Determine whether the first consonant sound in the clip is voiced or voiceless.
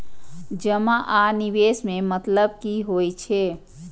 voiced